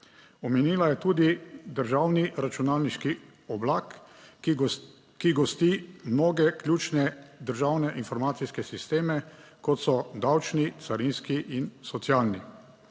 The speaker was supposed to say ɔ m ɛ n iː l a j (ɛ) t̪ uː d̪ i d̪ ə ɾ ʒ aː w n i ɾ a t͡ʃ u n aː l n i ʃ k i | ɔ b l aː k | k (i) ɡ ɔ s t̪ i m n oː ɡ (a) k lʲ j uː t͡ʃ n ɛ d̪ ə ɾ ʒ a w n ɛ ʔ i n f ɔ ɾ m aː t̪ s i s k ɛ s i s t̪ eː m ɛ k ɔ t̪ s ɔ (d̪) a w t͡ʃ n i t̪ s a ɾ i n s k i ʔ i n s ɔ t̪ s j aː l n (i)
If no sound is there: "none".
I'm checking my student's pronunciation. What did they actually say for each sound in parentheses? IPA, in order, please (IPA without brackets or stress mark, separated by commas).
ɛ, i, ɛ, d̪, i